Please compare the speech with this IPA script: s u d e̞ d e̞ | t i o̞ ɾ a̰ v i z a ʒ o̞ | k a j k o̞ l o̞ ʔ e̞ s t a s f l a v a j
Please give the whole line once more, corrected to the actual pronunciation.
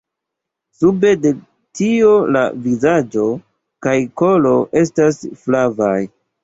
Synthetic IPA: s u b e̞ d e̞ | t i o̞ l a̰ v i z a d͡ʒ o̞ | k a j k o̞ l o̞ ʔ e̞ s t a s f l a v a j